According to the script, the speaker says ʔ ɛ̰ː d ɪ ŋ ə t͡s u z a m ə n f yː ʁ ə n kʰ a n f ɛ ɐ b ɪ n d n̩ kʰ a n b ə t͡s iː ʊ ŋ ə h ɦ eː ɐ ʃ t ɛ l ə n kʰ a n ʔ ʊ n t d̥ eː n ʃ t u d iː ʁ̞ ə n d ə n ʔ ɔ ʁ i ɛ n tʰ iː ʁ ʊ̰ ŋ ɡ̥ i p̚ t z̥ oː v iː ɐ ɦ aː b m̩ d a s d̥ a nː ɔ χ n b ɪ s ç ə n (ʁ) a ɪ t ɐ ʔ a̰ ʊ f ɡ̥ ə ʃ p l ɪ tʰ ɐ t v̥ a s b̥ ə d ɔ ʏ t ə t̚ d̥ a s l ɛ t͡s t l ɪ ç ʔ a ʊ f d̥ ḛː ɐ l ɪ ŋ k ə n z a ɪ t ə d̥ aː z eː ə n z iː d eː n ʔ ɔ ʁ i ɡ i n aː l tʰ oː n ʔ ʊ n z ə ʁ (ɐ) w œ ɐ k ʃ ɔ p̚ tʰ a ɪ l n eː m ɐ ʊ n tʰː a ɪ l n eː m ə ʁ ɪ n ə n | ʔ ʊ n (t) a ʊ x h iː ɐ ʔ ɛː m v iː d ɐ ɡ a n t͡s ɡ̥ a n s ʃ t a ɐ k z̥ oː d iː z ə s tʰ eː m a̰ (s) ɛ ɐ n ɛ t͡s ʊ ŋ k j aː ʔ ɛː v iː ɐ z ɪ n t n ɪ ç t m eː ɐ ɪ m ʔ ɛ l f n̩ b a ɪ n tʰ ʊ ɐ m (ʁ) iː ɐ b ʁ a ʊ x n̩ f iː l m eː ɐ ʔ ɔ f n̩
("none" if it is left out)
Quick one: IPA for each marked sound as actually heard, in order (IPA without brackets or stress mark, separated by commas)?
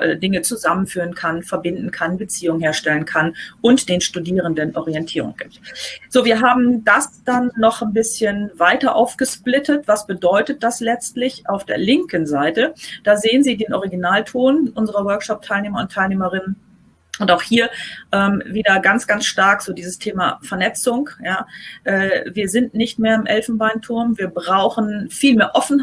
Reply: v, ɐ, t, f, v